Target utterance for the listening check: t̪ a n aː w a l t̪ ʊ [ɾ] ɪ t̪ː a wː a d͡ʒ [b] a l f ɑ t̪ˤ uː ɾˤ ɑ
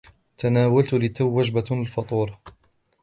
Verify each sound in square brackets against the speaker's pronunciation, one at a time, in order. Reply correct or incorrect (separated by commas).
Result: incorrect, correct